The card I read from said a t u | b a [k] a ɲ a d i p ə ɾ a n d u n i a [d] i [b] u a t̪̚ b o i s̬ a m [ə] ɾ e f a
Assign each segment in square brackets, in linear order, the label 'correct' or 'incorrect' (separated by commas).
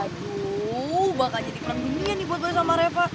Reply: correct, incorrect, correct, incorrect